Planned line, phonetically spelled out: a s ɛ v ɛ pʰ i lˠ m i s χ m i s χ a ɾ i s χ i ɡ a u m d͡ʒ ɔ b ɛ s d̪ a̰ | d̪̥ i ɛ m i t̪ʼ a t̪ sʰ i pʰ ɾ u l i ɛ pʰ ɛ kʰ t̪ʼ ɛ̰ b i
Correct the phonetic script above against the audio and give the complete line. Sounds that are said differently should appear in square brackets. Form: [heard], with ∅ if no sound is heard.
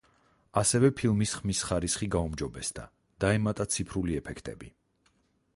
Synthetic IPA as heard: a s ɛ v ɛ pʰ i lˠ m i s χ m i s χ a ɾ i s χ i ɡ a u m d͡ʒ ɔ b ɛ s d̪ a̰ | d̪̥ [a] ɛ m [a] t̪ʼ a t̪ sʰ i pʰ ɾ u l i ɛ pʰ ɛ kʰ t̪ʼ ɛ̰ b i